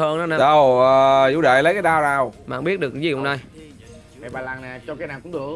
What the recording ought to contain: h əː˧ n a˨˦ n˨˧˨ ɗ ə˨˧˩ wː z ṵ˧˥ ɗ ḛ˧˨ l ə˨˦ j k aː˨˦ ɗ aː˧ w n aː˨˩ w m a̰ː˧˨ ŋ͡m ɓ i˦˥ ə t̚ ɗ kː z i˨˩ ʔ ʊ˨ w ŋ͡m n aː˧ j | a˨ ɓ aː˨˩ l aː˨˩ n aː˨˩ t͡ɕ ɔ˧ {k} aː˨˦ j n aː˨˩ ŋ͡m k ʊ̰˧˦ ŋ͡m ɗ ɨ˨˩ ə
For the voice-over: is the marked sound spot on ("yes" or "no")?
yes